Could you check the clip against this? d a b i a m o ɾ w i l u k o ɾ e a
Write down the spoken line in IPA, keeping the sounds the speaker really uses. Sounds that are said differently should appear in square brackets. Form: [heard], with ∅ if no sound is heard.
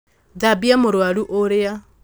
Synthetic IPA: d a b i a m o ɾ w [a] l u [ʔ] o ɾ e a